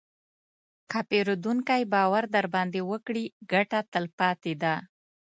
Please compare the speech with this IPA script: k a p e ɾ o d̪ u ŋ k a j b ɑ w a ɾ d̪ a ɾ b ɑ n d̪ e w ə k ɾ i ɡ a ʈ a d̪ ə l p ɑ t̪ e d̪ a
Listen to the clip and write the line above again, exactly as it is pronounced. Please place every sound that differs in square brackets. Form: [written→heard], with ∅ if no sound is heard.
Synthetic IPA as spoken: k a p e ɾ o d̪ u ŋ k a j b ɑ w a ɾ d̪ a ɾ b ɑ n d̪ e w ə k [ɾ→ɽ] i ɡ a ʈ a [d̪→t̪] ə l p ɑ t̪ e d̪ a